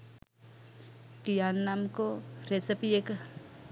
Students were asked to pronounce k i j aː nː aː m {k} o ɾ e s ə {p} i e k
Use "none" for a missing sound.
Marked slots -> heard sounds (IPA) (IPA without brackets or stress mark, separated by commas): k, p